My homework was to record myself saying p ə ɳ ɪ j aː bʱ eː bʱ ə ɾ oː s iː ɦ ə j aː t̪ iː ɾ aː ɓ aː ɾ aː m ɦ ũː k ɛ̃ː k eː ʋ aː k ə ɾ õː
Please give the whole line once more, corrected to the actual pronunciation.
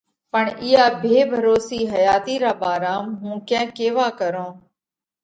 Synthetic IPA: p ə ɳ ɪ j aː bʱ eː bʱ ə ɾ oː s iː ɦ ə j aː t̪ iː ɾ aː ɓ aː ɾ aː m ɦ ũː k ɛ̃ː k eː ʋ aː k ə ɾ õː